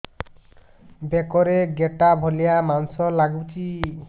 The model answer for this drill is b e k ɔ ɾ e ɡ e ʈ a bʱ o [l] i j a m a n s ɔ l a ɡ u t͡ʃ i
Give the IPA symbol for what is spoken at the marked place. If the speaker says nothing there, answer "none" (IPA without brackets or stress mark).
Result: l